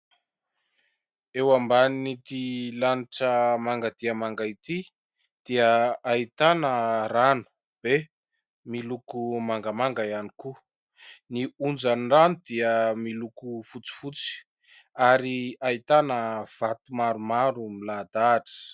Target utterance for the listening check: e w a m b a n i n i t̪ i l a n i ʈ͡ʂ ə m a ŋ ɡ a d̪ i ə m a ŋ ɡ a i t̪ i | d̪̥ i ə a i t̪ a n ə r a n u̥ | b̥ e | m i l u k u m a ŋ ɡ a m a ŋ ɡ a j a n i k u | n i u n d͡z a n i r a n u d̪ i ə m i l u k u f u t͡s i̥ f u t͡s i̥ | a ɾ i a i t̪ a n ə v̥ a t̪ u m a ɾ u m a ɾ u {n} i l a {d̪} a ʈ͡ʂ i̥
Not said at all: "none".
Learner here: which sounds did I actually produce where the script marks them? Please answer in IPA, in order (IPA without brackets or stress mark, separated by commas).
m, d̪